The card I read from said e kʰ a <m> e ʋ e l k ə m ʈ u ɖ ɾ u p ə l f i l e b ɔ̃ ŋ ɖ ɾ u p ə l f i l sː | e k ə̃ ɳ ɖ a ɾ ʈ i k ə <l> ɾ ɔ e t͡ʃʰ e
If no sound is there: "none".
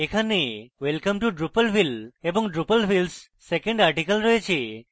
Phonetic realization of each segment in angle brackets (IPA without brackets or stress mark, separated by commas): n, l